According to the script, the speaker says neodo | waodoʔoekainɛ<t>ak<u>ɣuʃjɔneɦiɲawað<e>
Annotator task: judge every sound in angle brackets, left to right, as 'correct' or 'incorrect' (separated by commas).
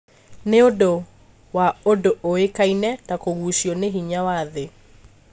correct, incorrect, correct